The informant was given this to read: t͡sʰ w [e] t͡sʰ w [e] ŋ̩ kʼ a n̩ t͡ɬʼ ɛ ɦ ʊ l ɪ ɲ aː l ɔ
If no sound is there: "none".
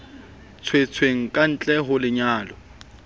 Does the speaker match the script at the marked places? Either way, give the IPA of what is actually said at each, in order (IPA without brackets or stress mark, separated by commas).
e, e